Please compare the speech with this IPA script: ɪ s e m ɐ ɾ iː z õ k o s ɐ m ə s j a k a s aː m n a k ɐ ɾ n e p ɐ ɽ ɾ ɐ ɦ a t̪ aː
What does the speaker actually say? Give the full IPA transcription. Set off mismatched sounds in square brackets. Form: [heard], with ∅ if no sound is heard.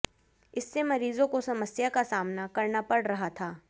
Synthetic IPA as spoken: ɪ [sː] e m ɐ ɾ iː z õ k o s ɐ m ə s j a k a s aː m n a k ɐ ɾ n [a] p ɐ ɽ ɾ ɐ ɦ a [t̪ʰ] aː